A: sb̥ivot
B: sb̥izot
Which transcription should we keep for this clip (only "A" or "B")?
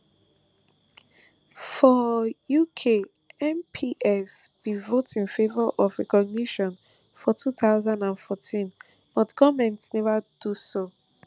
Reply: A